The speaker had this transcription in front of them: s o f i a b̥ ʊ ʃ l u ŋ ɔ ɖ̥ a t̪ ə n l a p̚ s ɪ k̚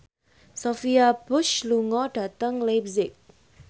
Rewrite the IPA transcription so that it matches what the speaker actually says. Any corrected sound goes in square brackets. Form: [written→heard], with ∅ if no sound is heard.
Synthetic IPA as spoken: s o f i a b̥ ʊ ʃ l u ŋ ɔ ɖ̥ a t̪ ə [n→ŋ] l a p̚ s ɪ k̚